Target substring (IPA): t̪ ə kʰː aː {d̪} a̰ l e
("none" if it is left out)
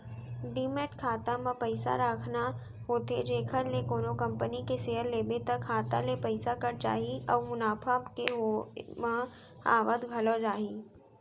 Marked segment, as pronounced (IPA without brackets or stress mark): t̪